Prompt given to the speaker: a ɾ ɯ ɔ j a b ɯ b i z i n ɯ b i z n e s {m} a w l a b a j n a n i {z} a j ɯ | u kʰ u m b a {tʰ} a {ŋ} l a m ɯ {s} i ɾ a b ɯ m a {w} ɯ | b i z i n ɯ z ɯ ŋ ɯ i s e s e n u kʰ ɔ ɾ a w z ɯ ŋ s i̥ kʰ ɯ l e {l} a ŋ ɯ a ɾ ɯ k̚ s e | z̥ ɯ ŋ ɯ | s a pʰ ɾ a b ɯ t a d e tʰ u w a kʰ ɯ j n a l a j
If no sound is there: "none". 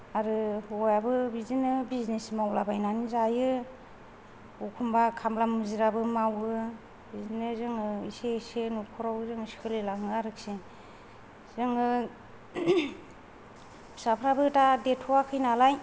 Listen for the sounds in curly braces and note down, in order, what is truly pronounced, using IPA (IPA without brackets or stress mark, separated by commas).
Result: m, z, kʰ, m, z, w, l